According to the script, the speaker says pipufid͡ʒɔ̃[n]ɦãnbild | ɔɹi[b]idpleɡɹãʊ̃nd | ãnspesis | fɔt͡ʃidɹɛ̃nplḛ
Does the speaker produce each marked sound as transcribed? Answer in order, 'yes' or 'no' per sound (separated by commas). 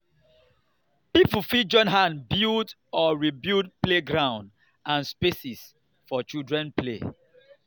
yes, yes